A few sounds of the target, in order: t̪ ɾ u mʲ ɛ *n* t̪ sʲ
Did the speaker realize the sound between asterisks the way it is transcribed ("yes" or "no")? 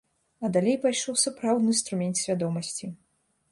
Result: yes